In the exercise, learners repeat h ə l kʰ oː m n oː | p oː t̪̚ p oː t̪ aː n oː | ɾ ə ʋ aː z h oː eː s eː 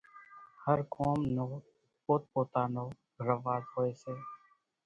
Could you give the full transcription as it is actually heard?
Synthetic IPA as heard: h ə ɾ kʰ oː m n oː | p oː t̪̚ p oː t̪ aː n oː | ɾ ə ʋ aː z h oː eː s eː